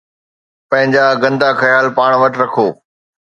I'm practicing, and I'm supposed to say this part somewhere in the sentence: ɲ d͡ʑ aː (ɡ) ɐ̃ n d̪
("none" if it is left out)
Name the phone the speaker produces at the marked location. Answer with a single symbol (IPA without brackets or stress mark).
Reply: ɡ